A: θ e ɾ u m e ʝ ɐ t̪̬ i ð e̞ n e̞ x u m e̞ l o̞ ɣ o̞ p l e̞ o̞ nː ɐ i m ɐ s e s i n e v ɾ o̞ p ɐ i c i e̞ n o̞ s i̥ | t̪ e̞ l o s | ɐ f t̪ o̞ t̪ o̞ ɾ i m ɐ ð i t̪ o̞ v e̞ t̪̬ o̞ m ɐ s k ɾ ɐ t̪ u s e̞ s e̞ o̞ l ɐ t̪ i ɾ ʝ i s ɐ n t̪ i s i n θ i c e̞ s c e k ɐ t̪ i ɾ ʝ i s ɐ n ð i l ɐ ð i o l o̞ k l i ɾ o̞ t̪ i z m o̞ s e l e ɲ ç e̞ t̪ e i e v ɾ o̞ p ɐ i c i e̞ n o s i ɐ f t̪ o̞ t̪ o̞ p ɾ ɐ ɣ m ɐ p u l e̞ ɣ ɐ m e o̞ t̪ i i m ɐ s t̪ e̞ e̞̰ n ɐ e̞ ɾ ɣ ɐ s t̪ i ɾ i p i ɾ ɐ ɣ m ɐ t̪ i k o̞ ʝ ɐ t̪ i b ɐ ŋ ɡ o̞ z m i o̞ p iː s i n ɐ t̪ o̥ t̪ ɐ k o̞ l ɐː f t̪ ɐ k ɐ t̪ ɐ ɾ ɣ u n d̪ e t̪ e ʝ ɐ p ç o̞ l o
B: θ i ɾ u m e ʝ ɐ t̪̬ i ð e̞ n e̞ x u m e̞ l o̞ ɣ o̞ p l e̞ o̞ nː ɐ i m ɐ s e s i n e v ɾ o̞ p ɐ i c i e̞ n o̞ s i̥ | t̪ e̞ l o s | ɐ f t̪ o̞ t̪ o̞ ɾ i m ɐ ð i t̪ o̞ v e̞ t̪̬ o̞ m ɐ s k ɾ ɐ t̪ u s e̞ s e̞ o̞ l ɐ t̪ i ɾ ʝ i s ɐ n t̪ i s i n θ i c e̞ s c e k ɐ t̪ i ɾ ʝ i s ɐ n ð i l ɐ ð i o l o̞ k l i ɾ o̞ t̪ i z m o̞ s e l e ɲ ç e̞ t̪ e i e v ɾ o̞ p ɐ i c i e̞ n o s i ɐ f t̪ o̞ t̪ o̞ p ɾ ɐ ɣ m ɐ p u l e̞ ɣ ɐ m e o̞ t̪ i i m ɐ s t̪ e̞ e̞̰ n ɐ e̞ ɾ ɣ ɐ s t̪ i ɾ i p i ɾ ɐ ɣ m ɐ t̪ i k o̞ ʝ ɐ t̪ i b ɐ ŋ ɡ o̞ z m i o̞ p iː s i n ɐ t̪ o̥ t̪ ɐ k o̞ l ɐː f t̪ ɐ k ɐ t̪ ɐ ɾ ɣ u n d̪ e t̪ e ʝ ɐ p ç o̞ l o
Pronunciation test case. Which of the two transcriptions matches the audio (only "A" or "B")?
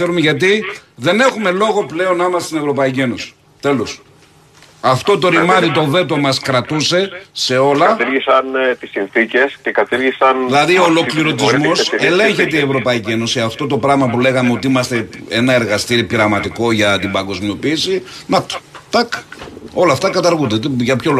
A